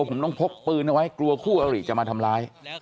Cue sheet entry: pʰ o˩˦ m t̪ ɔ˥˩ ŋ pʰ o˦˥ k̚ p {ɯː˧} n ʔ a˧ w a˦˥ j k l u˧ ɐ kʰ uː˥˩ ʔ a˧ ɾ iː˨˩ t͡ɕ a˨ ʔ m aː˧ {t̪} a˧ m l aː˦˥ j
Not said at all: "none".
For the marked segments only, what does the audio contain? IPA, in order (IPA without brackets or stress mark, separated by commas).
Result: ɯː˧, t̪ʰ